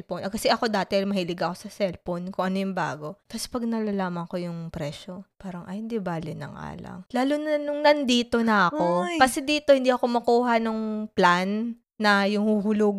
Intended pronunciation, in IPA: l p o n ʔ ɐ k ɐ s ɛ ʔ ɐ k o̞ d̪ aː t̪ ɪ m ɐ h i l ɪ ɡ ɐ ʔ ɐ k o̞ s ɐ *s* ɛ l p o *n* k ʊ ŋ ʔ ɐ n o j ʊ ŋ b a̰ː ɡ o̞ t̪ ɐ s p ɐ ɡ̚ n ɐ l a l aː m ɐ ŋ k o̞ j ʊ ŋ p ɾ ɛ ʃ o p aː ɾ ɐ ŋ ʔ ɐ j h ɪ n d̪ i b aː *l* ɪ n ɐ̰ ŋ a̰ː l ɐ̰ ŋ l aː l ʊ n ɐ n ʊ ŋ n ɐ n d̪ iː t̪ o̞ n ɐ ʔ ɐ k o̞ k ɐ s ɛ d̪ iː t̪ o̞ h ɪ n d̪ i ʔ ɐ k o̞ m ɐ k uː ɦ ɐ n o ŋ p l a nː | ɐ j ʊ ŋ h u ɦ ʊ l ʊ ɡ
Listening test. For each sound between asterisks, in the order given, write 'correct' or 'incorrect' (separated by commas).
correct, correct, correct